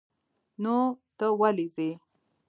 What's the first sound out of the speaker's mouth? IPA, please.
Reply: n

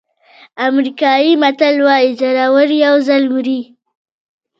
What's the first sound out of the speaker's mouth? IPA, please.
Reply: a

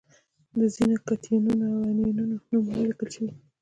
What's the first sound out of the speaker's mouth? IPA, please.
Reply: d̪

